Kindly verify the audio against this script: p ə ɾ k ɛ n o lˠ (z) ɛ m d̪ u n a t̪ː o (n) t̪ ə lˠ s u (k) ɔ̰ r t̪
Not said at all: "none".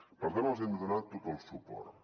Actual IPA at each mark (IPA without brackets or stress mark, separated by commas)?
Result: z, none, p